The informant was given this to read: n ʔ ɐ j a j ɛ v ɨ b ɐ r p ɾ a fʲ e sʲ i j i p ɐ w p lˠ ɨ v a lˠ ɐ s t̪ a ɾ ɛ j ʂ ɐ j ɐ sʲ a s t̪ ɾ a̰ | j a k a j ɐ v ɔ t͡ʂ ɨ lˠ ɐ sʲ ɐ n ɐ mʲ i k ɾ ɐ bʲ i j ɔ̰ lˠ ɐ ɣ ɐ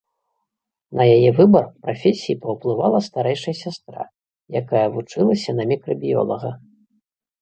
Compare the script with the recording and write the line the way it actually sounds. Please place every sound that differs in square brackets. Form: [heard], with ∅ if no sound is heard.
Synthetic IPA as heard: n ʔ ɐ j a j ɛ v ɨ b ɐ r p ɾ a fʲ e sʲ i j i p ɐ w p lˠ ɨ v a lˠ ɐ s t̪ a ɾ ɛ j ʂ ɐ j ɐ sʲ a s t̪ ɾ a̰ | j a k a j ɐ v [u] t͡ʂ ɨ lˠ ɐ sʲ ɐ n ɐ mʲ i k ɾ ɐ bʲ i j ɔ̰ lˠ ɐ ɣ ɐ